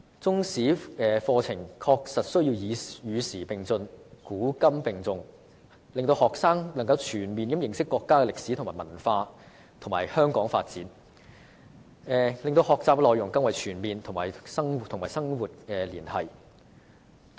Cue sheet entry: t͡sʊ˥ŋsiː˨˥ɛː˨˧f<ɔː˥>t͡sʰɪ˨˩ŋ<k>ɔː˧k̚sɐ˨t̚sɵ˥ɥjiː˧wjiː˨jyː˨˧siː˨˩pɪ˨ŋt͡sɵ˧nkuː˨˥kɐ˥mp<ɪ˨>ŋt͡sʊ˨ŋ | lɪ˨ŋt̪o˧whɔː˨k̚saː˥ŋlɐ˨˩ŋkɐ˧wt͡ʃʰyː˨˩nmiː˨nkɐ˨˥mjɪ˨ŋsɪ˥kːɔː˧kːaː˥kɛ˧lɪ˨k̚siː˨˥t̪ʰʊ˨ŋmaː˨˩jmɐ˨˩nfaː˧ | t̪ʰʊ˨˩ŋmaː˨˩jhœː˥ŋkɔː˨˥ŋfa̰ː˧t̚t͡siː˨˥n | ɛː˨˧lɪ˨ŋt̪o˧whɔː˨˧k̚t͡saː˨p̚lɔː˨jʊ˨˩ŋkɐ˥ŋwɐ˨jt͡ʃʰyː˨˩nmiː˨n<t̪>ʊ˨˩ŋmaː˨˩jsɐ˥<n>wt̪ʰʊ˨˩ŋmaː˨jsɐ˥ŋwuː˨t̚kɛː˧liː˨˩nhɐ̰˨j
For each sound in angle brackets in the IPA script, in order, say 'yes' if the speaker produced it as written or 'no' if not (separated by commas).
no, no, yes, no, no